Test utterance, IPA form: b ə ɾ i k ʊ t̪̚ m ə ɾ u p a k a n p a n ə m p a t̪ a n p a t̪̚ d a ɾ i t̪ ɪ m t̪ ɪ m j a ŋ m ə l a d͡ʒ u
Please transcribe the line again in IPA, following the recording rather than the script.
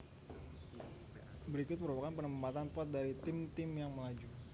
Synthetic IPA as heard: b ə ɾ i k ʊ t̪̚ m ə ɾ u p a k a n p ə n ə m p a t̪ a n p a t̪̚ d a ɾ i t̪ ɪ m t̪ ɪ m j a ŋ m ə l a d͡ʒ u

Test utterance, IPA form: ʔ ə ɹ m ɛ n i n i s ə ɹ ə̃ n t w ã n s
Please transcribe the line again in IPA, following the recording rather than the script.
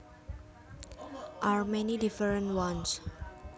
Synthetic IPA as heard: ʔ a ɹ m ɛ n i d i f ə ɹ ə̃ n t w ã n s

